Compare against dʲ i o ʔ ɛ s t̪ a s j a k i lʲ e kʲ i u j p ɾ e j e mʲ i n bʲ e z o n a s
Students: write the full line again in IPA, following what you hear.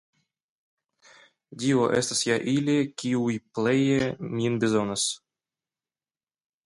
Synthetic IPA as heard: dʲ i o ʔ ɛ s t̪ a s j a ʔ i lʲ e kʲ i u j p l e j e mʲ i n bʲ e z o n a s